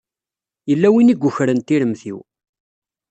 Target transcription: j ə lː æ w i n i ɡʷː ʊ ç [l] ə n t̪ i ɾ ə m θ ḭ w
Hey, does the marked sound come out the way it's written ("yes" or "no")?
no